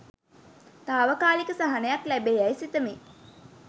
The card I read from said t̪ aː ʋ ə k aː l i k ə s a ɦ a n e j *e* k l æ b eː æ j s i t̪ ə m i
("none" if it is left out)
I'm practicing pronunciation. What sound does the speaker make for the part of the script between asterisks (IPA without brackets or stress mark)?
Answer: a